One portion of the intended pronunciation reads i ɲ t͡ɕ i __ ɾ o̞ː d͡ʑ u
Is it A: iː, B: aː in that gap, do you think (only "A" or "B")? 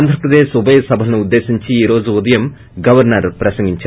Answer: A